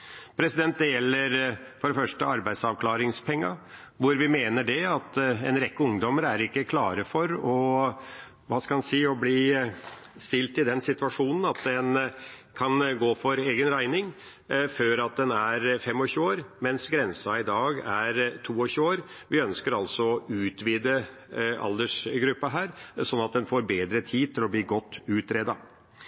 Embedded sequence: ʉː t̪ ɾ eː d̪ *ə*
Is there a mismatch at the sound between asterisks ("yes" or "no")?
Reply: yes